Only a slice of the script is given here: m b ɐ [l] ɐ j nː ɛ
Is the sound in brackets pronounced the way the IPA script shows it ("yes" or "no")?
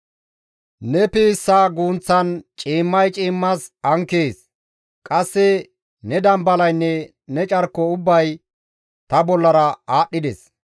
yes